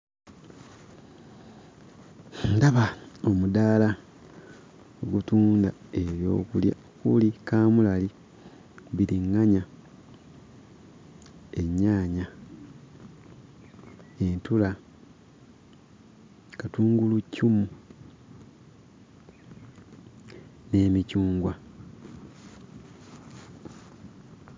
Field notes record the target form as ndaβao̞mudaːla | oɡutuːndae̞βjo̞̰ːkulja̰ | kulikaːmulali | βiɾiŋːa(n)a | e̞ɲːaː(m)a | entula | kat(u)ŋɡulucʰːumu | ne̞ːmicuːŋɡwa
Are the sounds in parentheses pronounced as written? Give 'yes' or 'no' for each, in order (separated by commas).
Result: no, no, no